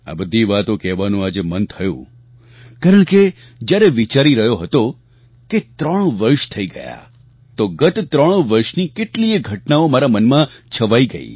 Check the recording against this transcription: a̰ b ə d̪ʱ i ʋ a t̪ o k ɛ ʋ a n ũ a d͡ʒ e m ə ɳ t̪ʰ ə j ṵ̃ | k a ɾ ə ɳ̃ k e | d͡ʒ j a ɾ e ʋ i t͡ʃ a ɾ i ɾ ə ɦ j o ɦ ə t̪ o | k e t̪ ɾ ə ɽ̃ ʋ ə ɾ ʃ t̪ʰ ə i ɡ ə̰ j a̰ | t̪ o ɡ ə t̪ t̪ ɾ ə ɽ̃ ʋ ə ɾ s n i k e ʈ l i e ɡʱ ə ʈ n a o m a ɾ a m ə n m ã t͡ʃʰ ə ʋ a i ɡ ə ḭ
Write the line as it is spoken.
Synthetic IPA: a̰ b ə d̪ʱ i ʋ a t̪ o k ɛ ʋ a n ũ a d͡ʒ e m ə n t̪ʰ ə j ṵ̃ | k a ɾ ə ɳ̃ k e | d͡ʒ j a ɾ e ʋ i t͡ʃ a ɾ i ɾ ə ɦ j o ɦ ə t̪ o | k e t̪ ɾ ə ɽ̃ ʋ ə ɾ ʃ t̪ʰ ə i ɡ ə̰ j a̰ | t̪ o ɡ ə t̪ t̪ ɾ ə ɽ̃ ʋ ə ɾ ʃ n i k e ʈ l i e ɡʱ ə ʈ n a o m a ɾ a m ə n m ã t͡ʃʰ ə ʋ a i ɡ ə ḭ